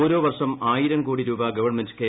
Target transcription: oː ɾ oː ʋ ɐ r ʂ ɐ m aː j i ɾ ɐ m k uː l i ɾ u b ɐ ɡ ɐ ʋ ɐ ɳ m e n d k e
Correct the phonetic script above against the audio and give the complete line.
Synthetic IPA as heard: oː ɾ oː ʋ ɐ r ʂ ɐ m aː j i ɾ ɐ m k uː ɽ i ɾ uː b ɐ ɡ ɐ ʋ ɐ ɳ m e n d k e